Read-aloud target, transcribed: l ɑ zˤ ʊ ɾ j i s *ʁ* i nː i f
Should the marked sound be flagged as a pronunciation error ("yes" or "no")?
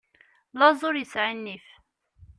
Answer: yes